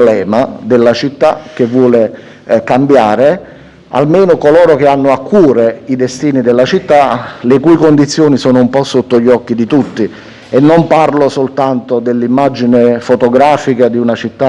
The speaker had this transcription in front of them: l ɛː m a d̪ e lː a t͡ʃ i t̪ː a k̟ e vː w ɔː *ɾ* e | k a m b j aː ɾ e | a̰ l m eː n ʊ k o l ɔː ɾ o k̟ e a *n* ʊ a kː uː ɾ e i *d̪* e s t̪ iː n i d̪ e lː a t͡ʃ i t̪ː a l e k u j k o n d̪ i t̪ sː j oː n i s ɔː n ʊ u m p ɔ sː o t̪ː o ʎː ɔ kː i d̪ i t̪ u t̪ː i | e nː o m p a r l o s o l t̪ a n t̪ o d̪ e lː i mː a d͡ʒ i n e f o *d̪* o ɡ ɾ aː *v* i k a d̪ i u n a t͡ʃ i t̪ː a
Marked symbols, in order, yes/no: no, no, yes, no, no

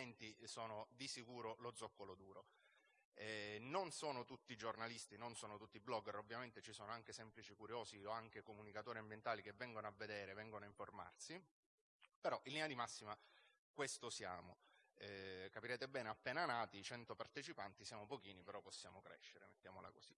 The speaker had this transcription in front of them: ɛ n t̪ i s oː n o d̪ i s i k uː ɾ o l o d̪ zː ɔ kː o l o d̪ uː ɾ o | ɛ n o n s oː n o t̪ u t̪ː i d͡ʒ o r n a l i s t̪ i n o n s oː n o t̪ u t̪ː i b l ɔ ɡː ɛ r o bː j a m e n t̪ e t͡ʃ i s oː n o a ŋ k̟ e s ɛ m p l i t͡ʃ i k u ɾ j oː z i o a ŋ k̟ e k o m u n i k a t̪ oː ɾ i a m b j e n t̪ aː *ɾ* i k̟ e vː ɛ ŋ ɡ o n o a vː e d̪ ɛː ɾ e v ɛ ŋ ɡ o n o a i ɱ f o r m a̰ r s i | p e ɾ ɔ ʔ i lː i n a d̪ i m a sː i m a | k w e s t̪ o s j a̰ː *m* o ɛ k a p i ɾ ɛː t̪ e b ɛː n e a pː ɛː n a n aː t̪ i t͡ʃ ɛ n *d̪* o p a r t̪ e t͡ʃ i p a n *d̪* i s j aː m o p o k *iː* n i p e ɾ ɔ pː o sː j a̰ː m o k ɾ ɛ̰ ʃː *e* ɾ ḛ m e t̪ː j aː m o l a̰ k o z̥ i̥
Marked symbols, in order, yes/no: no, yes, no, no, yes, yes

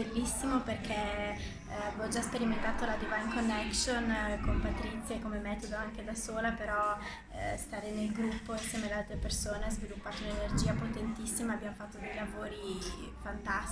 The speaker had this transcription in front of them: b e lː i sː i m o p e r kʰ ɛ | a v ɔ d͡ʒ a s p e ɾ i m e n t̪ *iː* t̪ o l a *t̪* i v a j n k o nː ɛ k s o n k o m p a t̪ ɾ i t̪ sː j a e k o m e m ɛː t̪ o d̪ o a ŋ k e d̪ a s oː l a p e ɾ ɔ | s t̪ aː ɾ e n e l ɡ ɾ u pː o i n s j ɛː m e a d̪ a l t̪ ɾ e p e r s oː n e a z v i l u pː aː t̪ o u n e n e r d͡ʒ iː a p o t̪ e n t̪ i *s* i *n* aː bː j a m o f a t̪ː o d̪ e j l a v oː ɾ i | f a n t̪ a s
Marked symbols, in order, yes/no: no, no, no, no

